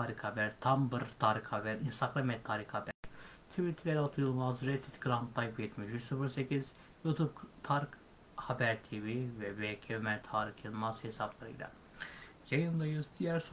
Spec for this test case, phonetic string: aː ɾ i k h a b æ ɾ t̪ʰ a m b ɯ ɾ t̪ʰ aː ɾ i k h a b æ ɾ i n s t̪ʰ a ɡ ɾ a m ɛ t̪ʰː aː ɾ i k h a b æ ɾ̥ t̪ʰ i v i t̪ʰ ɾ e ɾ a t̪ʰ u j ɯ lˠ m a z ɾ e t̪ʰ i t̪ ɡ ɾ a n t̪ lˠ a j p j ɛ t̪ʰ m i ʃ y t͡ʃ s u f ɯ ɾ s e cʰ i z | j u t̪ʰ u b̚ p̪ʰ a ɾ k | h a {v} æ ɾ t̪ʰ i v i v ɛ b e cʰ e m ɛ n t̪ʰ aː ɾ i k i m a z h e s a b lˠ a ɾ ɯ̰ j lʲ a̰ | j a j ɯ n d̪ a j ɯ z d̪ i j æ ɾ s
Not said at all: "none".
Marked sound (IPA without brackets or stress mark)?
b